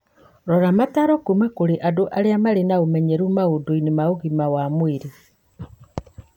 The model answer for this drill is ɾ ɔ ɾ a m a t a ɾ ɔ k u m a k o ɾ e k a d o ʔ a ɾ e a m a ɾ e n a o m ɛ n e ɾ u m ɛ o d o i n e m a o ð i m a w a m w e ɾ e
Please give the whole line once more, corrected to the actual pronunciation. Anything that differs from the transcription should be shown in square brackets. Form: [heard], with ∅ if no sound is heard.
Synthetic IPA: ɾ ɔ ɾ a m a t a ɾ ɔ k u m a k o ɾ e [ʔ] a d o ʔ a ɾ e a m a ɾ e n a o m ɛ [ɲ] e ɾ u m [a] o d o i n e m a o [ɣ] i m a w a m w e ɾ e